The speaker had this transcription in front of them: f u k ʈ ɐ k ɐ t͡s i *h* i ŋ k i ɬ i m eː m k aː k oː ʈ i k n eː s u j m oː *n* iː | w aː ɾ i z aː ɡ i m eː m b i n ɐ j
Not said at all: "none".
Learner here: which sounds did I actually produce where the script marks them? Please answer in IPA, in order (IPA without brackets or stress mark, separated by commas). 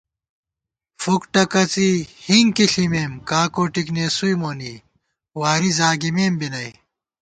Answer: h, n